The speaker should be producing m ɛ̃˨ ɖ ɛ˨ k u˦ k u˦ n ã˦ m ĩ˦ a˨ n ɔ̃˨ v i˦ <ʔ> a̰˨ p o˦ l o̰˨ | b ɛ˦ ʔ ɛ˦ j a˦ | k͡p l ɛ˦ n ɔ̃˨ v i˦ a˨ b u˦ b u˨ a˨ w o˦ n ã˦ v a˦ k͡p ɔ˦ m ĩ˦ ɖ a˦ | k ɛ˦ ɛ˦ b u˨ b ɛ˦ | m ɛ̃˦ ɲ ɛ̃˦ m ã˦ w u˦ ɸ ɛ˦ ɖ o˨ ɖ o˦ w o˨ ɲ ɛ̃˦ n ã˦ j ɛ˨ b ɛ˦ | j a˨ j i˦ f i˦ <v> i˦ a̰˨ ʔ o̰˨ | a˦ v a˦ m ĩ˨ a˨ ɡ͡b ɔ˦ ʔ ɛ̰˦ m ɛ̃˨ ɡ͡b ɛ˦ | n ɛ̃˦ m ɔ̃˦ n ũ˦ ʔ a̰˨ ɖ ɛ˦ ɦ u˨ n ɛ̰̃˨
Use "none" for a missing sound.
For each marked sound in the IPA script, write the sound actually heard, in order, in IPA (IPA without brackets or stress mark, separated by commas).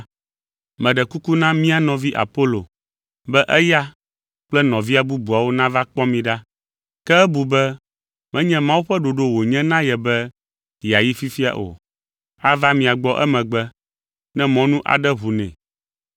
ʔ, f